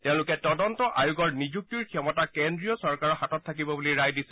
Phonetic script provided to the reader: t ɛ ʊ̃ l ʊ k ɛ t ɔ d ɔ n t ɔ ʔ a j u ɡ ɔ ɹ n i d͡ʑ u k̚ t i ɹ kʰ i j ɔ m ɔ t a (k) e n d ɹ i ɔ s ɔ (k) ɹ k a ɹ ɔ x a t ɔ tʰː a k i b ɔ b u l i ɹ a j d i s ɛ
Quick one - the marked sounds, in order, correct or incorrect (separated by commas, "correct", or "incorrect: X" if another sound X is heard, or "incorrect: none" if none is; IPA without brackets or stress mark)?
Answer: correct, incorrect: none